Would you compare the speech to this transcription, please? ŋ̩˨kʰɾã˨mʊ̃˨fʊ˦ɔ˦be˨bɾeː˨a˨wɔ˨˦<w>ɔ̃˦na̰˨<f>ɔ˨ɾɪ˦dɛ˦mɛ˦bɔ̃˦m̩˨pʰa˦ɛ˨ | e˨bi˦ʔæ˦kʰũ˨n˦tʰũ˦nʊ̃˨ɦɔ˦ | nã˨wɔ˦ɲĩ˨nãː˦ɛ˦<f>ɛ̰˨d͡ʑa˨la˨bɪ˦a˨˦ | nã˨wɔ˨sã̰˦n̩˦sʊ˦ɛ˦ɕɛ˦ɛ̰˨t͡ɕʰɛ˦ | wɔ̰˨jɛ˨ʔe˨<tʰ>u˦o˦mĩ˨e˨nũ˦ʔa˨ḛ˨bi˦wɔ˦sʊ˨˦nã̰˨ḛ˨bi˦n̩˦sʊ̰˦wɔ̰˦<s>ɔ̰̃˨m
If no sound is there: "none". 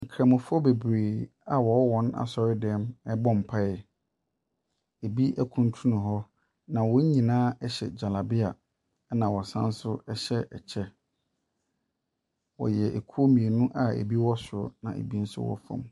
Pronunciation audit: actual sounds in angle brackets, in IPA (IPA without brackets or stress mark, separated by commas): w, s, ɕ, kʰ, f